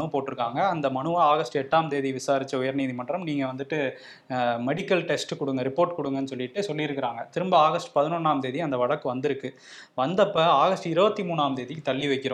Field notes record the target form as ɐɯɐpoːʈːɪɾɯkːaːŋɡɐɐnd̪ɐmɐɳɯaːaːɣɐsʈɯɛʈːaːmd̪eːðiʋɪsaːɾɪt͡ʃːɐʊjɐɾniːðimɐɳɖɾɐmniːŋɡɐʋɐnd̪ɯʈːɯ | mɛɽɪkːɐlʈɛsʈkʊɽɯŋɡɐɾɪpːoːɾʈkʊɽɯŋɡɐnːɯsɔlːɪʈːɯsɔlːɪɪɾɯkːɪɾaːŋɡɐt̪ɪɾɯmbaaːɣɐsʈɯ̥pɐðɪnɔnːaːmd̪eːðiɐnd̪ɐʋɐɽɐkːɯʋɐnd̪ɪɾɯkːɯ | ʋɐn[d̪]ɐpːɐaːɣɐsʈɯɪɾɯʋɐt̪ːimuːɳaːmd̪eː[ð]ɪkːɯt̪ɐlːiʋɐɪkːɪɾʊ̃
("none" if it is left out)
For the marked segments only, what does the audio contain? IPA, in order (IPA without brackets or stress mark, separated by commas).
d̪, ð